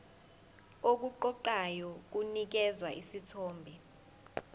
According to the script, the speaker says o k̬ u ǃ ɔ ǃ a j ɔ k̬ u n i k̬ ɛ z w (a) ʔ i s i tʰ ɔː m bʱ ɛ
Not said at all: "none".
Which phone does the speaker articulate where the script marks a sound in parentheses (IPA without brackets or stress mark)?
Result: a